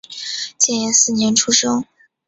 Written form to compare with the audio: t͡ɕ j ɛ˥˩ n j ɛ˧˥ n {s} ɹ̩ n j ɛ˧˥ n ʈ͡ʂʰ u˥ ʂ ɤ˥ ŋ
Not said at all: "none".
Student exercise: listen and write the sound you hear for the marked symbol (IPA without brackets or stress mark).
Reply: s